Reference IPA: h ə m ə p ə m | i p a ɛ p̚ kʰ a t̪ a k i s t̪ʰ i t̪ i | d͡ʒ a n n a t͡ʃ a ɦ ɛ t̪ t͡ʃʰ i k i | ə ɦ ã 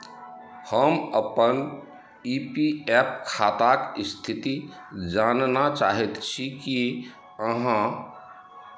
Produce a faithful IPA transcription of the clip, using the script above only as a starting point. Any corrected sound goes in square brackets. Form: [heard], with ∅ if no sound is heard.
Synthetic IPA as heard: h ə m ə p ə [n] | i p [i] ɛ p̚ kʰ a t̪ a k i s t̪ʰ i t̪ i | d͡ʒ a n n a t͡ʃ a ɦ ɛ t̪ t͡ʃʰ i k i | ə ɦ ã